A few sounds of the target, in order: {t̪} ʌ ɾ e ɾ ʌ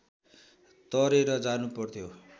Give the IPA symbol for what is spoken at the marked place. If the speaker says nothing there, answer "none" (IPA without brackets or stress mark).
t̪